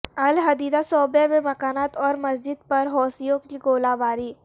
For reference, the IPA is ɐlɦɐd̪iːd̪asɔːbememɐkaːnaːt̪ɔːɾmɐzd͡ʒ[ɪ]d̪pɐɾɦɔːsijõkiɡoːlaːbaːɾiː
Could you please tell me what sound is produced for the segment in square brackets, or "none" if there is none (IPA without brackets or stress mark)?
ɪ